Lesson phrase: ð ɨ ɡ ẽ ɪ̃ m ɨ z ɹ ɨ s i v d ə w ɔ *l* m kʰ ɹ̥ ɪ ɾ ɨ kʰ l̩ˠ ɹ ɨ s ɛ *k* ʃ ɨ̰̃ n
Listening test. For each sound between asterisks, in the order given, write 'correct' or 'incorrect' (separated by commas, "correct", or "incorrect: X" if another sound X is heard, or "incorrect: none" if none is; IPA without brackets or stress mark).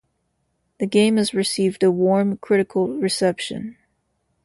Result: incorrect: ɹ, incorrect: p